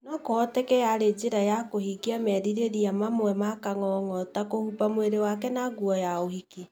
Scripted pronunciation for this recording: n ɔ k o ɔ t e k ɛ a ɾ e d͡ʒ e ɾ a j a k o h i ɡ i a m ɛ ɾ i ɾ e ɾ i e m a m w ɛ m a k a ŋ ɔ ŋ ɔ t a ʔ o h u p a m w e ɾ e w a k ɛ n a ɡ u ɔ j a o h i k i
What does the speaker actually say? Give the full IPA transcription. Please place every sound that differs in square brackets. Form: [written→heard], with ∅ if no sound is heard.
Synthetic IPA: n ɔ k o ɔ t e k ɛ a ɾ e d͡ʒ e ɾ a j a k o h i ɡ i a m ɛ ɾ i ɾ e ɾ i [e→a] m a m w ɛ m a k a ŋ ɔ ŋ ɔ t a [ʔ→k] o h u p a m w e ɾ e w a k ɛ n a ɡ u ɔ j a o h i k i